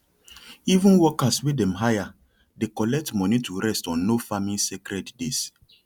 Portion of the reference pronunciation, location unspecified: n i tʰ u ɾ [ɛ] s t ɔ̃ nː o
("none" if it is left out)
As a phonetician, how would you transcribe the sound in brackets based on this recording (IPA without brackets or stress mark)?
ɛ